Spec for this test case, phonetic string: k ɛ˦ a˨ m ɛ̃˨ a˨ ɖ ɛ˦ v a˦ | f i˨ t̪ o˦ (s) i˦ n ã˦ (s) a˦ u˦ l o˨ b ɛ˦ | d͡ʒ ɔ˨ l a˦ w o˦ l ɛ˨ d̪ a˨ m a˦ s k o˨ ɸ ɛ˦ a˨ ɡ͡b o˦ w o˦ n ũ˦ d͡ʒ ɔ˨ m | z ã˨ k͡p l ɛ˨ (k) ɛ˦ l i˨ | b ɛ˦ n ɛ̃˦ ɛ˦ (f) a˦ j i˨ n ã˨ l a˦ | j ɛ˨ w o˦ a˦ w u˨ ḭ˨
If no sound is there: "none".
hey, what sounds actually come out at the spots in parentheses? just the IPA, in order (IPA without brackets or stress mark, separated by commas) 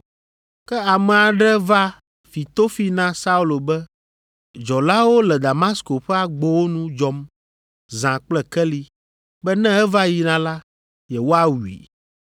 f, s, k, v